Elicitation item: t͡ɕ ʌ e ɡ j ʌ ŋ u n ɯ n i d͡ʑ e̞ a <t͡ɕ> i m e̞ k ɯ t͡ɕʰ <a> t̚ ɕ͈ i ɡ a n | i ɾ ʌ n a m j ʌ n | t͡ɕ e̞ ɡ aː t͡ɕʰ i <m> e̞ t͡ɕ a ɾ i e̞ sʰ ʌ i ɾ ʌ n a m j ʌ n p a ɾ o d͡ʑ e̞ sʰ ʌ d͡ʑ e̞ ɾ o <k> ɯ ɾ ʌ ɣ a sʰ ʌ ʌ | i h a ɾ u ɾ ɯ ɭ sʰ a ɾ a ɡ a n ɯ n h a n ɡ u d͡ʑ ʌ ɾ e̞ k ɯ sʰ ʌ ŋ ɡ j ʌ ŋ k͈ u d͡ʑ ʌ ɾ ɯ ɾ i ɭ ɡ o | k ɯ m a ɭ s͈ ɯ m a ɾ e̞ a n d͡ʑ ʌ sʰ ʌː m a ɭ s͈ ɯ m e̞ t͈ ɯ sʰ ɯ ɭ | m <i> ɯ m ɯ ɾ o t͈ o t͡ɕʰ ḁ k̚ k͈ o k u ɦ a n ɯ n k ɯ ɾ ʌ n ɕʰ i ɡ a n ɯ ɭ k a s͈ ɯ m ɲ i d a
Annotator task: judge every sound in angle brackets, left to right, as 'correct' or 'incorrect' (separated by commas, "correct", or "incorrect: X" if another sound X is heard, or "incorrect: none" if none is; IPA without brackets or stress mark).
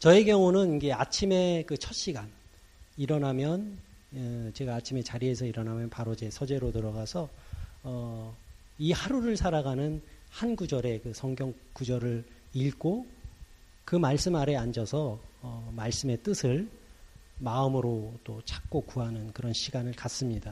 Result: incorrect: t͡ɕʰ, incorrect: ʌ, correct, incorrect: t, incorrect: a